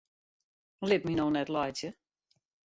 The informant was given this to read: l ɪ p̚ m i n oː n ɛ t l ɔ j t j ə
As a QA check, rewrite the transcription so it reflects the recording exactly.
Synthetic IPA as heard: l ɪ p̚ m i n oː n ɛ t l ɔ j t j ə